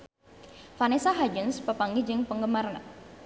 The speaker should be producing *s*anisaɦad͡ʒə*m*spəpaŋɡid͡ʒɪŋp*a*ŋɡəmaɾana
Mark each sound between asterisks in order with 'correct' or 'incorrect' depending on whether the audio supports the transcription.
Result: incorrect, incorrect, incorrect

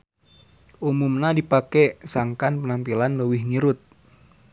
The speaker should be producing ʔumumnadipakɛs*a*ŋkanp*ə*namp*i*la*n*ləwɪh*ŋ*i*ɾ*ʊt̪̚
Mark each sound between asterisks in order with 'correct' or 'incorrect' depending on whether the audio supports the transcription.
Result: correct, correct, correct, correct, correct, correct

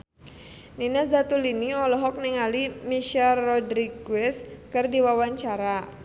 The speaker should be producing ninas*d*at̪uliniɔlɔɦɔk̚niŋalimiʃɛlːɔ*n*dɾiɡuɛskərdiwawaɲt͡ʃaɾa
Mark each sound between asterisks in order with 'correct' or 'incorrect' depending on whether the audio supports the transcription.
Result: correct, incorrect

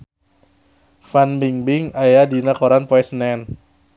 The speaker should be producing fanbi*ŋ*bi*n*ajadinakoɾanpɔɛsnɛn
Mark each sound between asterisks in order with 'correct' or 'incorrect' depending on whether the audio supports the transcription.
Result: correct, incorrect

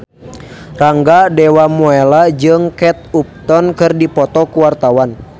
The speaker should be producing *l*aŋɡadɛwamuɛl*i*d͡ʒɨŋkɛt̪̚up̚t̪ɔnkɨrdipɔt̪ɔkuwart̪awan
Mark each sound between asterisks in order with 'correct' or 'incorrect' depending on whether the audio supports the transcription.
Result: incorrect, incorrect

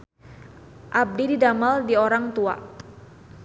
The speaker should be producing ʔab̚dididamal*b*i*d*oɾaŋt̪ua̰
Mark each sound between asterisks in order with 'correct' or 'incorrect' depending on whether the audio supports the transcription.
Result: incorrect, incorrect

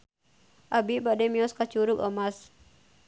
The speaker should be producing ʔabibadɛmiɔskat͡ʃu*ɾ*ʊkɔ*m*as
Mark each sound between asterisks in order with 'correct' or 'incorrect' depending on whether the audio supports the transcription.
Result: correct, correct

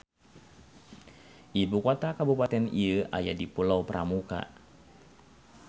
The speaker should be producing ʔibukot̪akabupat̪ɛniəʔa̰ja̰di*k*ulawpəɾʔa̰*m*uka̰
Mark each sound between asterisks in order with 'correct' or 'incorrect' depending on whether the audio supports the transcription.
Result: incorrect, correct

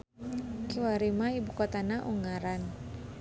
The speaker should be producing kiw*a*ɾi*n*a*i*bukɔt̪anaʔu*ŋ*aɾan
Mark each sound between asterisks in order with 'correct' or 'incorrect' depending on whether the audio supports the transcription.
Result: correct, incorrect, correct, correct

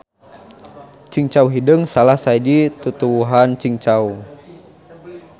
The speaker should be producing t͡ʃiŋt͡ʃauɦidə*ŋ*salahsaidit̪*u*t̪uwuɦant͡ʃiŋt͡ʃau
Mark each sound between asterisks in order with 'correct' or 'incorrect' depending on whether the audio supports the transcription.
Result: correct, correct

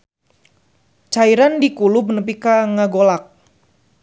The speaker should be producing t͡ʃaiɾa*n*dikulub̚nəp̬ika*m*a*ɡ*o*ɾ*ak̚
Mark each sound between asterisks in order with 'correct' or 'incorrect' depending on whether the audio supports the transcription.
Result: correct, incorrect, correct, incorrect

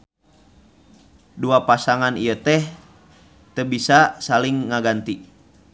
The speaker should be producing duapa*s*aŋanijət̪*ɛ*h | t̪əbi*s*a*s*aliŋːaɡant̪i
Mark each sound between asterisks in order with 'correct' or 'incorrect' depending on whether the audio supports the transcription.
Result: correct, correct, correct, correct

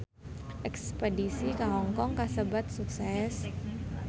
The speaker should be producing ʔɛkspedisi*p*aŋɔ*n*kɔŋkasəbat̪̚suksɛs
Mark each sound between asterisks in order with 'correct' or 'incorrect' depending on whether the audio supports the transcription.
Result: incorrect, incorrect

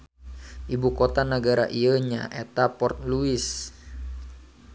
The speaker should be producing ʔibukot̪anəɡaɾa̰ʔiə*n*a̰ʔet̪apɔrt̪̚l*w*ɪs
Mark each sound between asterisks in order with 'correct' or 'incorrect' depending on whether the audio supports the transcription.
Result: incorrect, incorrect

